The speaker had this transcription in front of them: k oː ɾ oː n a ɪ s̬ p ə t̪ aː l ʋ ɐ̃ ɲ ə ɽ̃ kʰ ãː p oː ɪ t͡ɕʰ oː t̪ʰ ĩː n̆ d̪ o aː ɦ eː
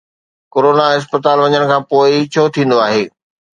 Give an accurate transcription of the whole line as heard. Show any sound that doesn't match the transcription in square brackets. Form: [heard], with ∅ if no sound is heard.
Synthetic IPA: k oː ɾ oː n a ɪ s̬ p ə t̪ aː l ʋ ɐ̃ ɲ ə ɽ̃ kʰ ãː p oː ɪ t͡ɕʰ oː t̪ʰ ĩː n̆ d̪ o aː ɦ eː

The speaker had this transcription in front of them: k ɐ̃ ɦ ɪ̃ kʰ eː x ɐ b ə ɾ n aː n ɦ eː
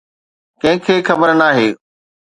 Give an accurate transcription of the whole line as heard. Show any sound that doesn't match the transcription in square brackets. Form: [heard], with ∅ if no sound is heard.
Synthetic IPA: k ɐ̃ ɦ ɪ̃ kʰ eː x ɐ b ə ɾ n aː [∅] ɦ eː

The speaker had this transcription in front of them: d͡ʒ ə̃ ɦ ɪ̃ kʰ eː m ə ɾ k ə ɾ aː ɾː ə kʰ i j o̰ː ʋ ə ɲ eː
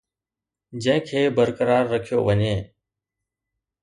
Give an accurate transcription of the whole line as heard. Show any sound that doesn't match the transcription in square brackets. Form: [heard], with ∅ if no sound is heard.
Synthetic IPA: d͡ʒ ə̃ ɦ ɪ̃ kʰ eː [b] ə ɾ k ə ɾ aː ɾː ə kʰ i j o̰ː ʋ ə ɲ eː

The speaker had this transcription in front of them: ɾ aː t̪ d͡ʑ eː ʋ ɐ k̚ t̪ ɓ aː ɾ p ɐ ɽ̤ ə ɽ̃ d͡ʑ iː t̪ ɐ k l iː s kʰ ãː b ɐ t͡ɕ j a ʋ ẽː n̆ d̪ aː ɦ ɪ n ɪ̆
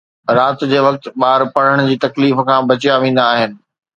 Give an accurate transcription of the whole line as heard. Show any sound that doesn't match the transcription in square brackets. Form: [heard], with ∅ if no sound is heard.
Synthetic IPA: ɾ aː t̪ d͡ʑ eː ʋ ɐ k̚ t̪ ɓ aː ɾ p ɐ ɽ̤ ə ɽ̃ d͡ʑ iː t̪ ɐ k l iː [f] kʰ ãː b ɐ t͡ɕ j a ʋ ẽː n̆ d̪ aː ɦ ɪ n ɪ̆

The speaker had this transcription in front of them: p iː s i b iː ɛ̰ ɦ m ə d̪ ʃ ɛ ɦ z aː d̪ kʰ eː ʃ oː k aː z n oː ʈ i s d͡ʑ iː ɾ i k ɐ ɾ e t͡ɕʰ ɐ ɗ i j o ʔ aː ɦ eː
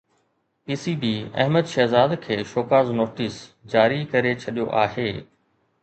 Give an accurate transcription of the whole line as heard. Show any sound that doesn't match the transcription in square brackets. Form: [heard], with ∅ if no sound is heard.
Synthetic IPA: p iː s i b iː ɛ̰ ɦ m ə d̪ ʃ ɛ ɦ z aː d̪ kʰ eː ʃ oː k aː z n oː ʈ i s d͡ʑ [aː] ɾ i k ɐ ɾ e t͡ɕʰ ɐ ɗ i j o ʔ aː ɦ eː

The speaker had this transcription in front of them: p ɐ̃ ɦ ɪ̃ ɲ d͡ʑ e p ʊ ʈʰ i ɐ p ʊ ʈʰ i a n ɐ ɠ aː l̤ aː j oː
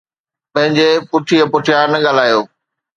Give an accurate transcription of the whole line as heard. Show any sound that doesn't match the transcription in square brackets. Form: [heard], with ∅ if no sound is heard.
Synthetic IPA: p ɐ̃ ɦ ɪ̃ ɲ d͡ʑ e p ʊ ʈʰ i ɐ p ʊ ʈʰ [j] a n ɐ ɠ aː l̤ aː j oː

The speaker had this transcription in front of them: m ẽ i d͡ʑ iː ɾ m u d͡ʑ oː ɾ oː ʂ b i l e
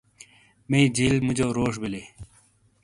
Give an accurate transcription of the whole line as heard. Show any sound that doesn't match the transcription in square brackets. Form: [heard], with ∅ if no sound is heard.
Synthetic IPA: m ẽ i d͡ʑ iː [l] m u d͡ʑ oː ɾ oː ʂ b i l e

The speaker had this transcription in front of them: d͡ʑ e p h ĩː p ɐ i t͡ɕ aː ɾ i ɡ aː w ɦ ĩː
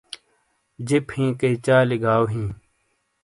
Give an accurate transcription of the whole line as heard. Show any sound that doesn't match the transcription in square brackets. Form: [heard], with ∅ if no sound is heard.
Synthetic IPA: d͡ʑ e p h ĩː [k] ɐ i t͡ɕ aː [l] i ɡ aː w ɦ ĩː

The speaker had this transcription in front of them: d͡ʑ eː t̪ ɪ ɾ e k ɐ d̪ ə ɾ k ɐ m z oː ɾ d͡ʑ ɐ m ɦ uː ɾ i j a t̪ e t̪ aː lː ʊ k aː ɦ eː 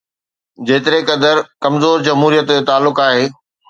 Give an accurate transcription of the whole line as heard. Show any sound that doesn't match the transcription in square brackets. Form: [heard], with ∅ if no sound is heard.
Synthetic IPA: d͡ʑ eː t̪ ɪ ɾ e k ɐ d̪ ə ɾ k ɐ m z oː ɾ d͡ʑ ɐ m ɦ uː ɾ i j [ə] t̪ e t̪ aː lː ʊ k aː ɦ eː

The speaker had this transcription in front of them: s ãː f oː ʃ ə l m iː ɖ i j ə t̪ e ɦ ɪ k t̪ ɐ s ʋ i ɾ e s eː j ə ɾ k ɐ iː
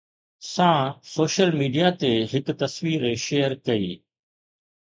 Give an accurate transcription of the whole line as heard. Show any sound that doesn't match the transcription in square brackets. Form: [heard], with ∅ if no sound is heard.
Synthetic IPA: s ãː [s] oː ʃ ə l m iː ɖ i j [a] t̪ e ɦ ɪ k t̪ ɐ s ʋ [iː] ɾ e [ʃ] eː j ə ɾ k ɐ iː

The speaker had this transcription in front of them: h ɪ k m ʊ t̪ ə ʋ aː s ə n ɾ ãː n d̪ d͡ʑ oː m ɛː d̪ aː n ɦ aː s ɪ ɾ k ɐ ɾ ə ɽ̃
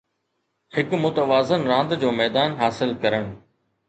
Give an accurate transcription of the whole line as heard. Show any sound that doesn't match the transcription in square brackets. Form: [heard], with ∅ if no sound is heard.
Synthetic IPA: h ɪ k m ʊ t̪ ə ʋ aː [z] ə n ɾ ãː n d̪ d͡ʑ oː m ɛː d̪ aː n ɦ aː s ɪ [l] k ɐ ɾ ə ɽ̃

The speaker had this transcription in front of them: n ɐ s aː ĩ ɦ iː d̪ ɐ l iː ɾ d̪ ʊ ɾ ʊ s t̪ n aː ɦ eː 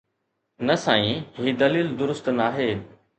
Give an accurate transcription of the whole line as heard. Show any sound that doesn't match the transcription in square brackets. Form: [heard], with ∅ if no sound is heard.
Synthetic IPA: n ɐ s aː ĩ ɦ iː d̪ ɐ l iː [l] d̪ ʊ ɾ ʊ s t̪ n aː ɦ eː

